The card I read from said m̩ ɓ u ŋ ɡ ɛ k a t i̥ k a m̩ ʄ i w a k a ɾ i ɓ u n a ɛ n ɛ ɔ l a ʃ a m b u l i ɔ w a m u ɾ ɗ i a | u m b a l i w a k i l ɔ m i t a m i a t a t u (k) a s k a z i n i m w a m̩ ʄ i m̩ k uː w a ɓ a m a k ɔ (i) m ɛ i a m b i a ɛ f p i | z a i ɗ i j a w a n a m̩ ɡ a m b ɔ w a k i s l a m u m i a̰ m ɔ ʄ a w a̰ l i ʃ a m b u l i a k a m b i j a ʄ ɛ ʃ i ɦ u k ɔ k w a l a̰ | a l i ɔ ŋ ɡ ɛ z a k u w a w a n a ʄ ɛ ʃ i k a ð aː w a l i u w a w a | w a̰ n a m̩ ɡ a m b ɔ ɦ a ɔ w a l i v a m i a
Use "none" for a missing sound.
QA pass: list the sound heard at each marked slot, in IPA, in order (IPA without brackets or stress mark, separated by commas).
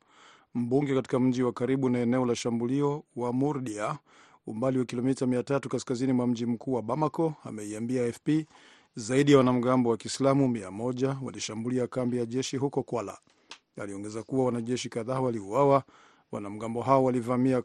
k, a